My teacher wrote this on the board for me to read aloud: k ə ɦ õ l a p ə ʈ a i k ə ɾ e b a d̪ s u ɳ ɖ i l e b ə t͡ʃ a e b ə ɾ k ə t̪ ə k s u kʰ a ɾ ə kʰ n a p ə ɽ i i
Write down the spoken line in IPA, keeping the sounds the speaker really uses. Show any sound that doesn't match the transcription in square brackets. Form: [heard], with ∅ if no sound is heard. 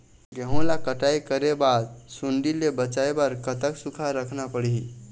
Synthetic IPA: [ɡ] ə ɦ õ l a [k] ə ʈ a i k ə ɾ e b a d̪ s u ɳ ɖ i l e b ə t͡ʃ a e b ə ɾ k ə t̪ ə k s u kʰ a ɾ ə kʰ n a p ə ɽ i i